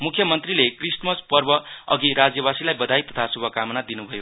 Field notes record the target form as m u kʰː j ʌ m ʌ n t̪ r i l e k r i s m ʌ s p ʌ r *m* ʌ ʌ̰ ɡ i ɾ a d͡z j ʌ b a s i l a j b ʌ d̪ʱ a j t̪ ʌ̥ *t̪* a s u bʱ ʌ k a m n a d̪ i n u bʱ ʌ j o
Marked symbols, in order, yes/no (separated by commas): no, no